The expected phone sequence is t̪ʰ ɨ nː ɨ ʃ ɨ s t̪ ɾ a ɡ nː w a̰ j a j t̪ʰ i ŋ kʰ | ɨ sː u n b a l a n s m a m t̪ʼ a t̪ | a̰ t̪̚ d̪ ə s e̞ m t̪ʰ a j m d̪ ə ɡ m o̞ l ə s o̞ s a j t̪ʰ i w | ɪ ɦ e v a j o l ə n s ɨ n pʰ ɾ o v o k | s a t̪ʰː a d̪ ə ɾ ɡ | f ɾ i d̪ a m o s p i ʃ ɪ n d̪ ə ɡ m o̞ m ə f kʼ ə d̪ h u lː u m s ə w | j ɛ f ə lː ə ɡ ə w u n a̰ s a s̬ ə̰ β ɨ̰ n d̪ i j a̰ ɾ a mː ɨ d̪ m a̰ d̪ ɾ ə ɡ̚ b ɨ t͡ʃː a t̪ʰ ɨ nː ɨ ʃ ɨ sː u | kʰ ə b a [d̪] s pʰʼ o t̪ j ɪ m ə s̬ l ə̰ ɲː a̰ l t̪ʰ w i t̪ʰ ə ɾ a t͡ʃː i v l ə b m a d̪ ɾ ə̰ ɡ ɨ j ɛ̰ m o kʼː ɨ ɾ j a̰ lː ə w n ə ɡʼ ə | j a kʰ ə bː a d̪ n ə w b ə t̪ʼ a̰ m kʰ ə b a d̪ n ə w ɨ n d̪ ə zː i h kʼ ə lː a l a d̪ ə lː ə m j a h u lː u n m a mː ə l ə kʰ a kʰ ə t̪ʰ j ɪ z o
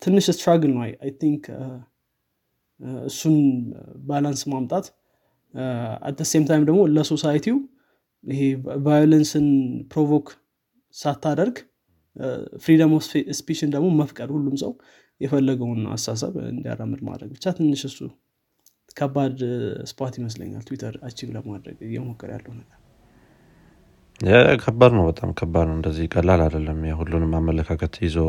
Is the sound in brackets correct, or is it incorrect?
correct